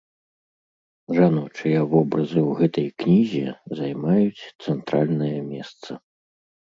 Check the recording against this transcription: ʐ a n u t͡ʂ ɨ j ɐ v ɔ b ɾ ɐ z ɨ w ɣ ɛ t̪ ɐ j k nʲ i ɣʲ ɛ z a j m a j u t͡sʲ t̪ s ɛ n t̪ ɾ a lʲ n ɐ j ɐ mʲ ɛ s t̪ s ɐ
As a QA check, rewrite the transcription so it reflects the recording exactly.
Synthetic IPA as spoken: ʐ a n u t͡ʂ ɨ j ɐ v ɔ b ɾ ɐ z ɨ w ɣ ɛ t̪ ɐ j k nʲ i zʲ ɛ z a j m a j u t͡sʲ t̪ s ɛ n t̪ ɾ a lʲ n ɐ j ɐ mʲ ɛ s t̪ s ɐ